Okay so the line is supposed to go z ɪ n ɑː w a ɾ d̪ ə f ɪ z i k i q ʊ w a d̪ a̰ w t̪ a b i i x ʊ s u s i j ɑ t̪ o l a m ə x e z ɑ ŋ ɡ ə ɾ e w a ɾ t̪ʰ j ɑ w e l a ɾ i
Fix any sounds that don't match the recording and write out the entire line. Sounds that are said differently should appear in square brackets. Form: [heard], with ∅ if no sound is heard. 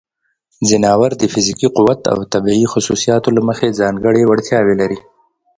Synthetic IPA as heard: z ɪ n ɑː w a ɾ d̪ ə f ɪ z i k i q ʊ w a [t̪] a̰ w t̪ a b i i x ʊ s u s i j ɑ t̪ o l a m ə x e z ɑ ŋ ɡ ə [ɽ] e w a [ɽ] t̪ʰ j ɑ w e l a ɾ i